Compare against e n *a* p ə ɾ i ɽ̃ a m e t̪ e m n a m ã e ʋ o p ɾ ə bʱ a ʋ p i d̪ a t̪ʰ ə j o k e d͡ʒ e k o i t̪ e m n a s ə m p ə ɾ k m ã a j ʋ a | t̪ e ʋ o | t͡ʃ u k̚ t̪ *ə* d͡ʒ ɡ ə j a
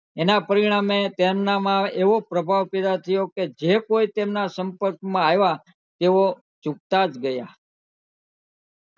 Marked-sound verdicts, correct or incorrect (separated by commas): correct, incorrect